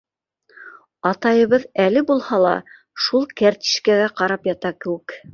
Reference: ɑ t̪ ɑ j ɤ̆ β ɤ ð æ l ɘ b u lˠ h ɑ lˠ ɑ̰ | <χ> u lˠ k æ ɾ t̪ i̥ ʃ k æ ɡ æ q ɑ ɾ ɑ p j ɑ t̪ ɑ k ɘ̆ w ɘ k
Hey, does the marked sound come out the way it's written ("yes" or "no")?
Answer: no